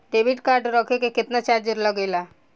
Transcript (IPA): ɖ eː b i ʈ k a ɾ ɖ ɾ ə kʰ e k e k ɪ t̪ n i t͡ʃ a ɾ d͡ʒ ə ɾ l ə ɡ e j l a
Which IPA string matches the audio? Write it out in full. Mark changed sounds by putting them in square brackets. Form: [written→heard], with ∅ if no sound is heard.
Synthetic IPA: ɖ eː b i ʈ k a ɾ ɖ ɾ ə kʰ e k e k ɪ t̪ n [i→a] t͡ʃ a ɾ d͡ʒ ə ɾ l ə ɡ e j l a